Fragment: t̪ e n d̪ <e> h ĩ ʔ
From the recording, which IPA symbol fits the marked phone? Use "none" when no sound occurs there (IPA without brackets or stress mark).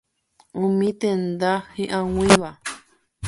a